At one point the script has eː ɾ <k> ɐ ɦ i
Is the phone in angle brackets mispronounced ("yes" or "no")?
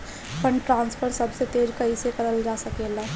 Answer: no